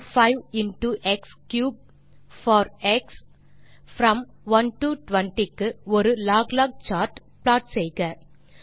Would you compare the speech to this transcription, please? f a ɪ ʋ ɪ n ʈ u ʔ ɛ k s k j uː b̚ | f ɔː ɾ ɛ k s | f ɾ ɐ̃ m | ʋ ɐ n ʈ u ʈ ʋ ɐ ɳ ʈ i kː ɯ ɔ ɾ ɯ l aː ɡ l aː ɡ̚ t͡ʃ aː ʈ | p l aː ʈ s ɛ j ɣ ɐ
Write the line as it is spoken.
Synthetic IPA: f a ɪ ʋ ɪ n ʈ u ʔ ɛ k s k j uː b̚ | f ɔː ɾ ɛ k s | f ɾ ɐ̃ m | ʋ ɐ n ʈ u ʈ ʋ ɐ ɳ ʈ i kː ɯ ɔ ɾ ɯ l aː ɡ l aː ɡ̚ t͡ʃ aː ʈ | p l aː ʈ s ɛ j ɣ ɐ